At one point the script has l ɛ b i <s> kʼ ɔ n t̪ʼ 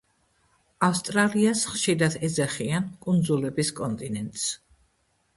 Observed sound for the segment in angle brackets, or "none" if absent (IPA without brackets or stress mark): s